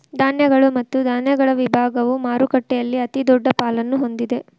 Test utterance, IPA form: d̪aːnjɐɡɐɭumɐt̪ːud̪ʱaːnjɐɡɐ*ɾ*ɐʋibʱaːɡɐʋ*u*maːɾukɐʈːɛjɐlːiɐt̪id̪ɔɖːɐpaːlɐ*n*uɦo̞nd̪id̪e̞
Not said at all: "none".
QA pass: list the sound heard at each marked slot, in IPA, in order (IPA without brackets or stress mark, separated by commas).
ɭ, u, nː